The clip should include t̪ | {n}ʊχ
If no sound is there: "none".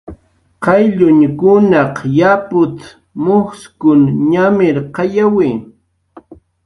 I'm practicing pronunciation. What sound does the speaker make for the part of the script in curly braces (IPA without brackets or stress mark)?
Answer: m